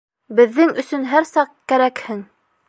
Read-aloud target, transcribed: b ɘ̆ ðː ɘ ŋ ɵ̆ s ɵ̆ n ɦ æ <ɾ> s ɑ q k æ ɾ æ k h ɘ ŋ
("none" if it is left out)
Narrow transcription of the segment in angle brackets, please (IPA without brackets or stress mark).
ɾ